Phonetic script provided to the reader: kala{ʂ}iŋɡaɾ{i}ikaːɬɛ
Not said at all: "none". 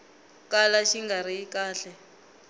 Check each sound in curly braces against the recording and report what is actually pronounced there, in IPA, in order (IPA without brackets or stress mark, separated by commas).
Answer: ʃ, i